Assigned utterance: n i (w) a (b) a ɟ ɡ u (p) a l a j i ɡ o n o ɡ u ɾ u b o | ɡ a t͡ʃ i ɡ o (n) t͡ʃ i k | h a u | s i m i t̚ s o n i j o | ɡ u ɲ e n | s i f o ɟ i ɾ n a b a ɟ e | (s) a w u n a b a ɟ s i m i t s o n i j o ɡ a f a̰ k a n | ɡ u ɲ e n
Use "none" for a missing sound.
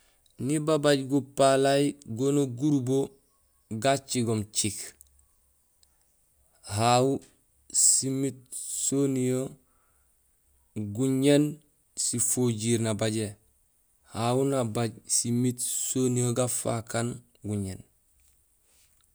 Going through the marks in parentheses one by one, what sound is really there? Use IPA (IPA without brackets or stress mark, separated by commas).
b, b, p, m, h